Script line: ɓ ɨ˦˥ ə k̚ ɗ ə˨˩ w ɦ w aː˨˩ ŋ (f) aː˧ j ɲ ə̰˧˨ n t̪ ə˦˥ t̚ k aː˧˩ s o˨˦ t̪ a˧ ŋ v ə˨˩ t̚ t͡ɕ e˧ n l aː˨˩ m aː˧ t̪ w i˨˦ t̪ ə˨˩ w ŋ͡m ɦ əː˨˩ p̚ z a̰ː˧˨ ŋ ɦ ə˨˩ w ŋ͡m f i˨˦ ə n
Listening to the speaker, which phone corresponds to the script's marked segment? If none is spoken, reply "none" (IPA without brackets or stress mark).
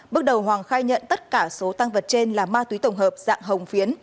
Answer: x